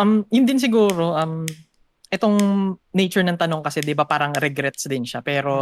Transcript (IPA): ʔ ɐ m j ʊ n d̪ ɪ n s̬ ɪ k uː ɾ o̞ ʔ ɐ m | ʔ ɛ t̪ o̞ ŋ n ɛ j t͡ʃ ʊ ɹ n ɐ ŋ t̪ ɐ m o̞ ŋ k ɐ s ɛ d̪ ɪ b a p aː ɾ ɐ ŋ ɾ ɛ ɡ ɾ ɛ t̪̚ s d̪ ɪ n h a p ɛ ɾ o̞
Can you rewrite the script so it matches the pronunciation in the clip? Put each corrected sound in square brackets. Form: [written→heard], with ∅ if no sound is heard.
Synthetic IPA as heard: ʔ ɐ m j ʊ n d̪ ɪ n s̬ ɪ [k→ɡ] uː ɾ o̞ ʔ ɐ m | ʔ ɛ t̪ o̞ ŋ n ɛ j t͡ʃ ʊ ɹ n ɐ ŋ t̪ ɐ [m→n] o̞ ŋ k ɐ s ɛ d̪ ɪ b a p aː ɾ ɐ ŋ ɾ ɛ ɡ ɾ ɛ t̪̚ s d̪ ɪ n [h→ʃ] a p [ɛ→ɛː] ɾ o̞